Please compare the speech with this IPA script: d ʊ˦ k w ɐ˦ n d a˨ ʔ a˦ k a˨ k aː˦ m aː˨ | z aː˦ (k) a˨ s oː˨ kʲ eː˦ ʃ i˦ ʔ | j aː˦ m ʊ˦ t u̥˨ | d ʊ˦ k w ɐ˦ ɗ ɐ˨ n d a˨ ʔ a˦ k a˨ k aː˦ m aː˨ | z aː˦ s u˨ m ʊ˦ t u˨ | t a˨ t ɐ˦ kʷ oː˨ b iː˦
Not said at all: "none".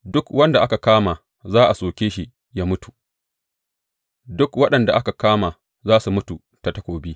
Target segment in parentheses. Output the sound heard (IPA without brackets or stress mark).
ʔ